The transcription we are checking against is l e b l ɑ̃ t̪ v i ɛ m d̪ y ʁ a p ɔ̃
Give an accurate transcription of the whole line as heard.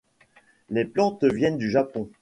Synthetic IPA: l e p l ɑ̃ t̪ v j ɛ n d̪ y ʒ a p ɔ̃

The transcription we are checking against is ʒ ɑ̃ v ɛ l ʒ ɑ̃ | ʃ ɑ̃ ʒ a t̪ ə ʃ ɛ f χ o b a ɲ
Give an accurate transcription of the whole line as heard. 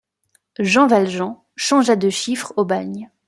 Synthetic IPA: ʒ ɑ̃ v a l ʒ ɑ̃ | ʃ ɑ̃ ʒ a d̪ ə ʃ i f χ o b a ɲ

